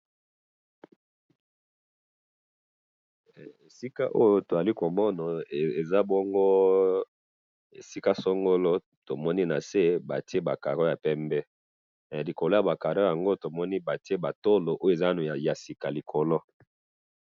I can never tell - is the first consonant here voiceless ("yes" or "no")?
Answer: yes